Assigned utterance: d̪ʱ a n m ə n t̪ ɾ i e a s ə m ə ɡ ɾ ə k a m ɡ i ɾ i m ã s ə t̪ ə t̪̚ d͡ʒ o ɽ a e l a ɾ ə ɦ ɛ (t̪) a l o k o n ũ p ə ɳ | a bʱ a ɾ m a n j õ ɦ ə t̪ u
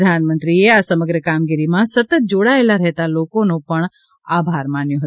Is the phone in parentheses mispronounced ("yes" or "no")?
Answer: no